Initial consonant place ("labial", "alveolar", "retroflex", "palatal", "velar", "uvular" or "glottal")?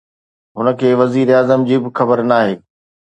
glottal